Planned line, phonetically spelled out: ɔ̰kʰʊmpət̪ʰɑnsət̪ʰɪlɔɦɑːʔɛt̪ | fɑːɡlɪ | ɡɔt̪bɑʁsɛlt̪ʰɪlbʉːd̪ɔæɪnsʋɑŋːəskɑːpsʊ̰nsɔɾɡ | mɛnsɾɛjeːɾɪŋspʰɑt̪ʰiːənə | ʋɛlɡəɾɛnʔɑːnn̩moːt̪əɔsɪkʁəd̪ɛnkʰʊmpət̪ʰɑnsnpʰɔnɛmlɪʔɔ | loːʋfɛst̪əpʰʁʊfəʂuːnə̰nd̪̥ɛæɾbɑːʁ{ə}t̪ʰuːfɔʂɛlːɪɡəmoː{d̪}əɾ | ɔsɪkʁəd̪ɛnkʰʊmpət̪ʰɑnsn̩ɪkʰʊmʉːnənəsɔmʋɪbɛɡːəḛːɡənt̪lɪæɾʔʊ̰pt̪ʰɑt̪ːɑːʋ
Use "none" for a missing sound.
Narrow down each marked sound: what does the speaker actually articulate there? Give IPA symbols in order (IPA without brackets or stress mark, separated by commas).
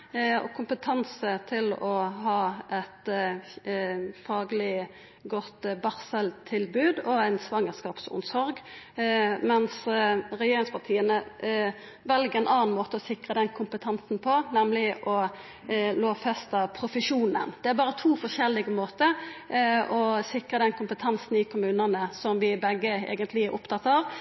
ə, t̪